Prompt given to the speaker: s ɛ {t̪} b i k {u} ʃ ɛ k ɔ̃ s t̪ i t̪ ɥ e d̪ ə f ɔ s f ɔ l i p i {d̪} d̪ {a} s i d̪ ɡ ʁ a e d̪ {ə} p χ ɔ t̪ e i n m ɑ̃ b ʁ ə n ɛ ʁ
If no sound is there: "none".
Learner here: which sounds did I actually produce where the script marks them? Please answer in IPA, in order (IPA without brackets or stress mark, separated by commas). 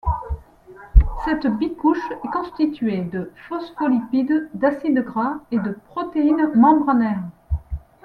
t̪, u, d̪, a, ə